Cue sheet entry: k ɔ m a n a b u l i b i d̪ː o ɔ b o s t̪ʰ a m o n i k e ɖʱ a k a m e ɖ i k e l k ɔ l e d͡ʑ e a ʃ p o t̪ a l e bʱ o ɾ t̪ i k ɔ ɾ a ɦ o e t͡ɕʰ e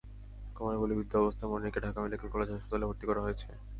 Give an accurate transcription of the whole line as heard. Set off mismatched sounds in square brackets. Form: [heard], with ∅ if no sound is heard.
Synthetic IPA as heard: k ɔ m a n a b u l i b i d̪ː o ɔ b o s t̪ʰ a m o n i k e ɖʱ a k a m e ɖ i k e l k ɔ l e d͡ʑ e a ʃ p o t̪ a l e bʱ o ɾ t̪ i k ɔ ɾ a ɦ o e t͡ɕʰ e